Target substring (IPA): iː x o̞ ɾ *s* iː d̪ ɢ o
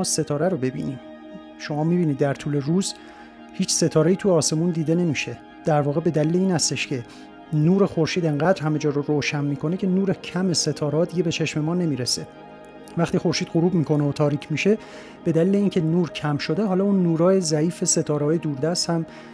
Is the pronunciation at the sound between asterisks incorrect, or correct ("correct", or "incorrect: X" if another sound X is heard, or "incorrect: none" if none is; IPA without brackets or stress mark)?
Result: incorrect: ʃ